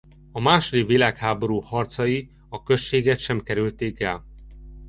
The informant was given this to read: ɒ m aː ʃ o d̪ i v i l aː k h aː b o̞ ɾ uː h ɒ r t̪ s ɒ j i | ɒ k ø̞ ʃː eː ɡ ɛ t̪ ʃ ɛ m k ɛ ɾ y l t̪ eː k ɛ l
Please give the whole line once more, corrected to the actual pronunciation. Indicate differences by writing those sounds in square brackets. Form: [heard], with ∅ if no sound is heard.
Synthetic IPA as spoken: ɒ m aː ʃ o d̪ i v i l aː k h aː b o̞ ɾ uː h ɒ r t̪ s ɒ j i | ɒ k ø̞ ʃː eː ɡ ɛ t̪ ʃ ɛ m k ɛ ɾ y l t̪ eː k ɛ l